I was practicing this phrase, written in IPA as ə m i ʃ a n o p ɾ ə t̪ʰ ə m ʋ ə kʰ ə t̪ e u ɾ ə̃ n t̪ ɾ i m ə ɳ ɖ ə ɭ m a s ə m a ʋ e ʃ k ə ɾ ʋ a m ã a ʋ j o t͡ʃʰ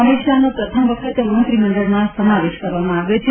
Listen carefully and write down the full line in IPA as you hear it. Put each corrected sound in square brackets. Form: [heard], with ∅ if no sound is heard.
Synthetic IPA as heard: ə m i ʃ a n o p ɾ ə t̪ʰ ə m ʋ ə kʰ ə t̪ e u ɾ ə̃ n t̪ ɾ i m ə ɳ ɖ ə ɭ m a s ə m a ʋ e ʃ k ə ɾ ʋ a m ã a ʋ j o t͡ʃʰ